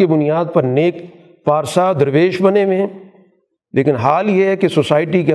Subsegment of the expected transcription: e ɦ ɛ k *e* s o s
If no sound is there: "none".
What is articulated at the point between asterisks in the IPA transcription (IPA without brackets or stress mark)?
e